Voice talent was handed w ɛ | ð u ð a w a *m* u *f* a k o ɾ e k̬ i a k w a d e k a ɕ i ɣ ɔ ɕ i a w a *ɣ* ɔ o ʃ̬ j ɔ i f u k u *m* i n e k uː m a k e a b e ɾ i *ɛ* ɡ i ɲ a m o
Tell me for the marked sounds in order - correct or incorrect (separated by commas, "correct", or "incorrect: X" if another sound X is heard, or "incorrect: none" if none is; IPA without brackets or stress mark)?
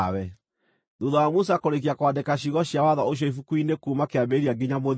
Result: correct, incorrect: s, incorrect: ð, incorrect: none, incorrect: a